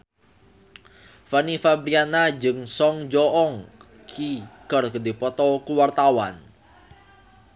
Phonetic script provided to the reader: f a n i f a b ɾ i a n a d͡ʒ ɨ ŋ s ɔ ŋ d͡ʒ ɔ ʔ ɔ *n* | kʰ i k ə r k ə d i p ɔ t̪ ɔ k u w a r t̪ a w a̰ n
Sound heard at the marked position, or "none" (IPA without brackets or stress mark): ŋ